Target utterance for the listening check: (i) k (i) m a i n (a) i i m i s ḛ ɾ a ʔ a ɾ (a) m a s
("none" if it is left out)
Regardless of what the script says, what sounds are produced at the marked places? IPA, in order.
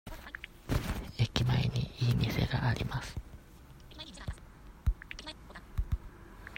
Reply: e, i, i, i

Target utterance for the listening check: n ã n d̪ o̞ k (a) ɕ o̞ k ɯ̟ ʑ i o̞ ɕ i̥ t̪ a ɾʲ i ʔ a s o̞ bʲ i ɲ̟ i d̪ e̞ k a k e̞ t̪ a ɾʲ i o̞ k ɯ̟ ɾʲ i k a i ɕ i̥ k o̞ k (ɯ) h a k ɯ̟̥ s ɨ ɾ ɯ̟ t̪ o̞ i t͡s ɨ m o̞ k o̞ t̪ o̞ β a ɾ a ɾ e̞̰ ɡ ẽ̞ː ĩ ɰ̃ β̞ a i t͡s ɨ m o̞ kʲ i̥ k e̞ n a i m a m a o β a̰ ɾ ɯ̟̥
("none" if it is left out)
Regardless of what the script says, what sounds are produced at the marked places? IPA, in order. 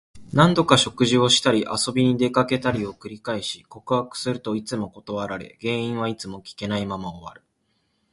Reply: a, ɯ

